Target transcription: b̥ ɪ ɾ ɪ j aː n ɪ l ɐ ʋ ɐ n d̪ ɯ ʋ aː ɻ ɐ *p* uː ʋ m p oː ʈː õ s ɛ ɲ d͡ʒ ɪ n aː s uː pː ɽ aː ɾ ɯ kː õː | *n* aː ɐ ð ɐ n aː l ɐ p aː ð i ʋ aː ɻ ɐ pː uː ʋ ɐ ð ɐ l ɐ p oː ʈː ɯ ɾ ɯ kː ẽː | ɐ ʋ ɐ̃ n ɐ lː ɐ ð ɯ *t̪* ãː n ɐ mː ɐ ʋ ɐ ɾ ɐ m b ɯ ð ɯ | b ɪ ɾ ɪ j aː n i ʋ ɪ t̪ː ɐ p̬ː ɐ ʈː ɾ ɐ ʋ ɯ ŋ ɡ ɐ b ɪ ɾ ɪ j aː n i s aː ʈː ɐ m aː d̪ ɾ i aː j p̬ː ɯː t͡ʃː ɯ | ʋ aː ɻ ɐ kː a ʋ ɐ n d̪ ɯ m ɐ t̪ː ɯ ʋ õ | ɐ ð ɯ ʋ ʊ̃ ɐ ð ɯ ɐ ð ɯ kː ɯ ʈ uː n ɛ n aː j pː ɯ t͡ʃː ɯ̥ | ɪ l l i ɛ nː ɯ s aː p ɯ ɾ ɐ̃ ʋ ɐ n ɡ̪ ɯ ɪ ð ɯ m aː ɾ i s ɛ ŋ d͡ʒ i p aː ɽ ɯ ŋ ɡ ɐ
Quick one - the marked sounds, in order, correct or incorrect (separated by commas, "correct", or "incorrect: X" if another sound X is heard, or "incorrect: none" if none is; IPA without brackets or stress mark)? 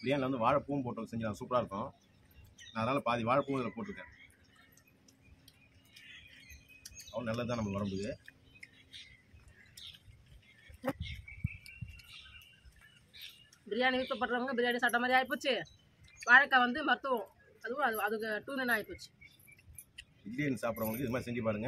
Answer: correct, correct, correct